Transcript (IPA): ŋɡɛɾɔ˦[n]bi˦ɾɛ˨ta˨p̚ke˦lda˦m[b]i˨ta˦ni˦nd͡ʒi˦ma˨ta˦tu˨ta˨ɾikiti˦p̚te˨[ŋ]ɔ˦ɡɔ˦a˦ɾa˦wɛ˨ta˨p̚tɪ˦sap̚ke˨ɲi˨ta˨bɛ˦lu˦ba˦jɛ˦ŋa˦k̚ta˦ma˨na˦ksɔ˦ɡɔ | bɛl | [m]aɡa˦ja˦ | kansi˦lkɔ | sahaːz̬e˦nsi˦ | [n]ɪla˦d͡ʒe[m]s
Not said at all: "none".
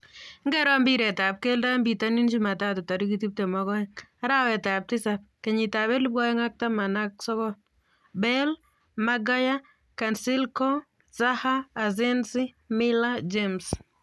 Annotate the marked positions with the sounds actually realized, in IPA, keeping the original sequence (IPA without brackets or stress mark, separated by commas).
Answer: m, b, m, m, m, m